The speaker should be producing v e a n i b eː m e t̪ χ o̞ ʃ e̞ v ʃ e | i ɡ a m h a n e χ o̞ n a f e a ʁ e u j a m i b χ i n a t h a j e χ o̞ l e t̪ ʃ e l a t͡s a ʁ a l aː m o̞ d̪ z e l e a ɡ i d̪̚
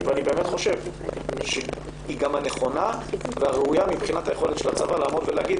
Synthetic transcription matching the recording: v e a n i b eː m e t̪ χ o̞ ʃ e̞ v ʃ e | i ɡ a m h a n e χ o̞ n a v e a ʁ e u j a m i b χ i n a t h a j e χ o̞ l e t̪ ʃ e l a t͡s a v a l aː m o̞ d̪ v e l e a ɡ i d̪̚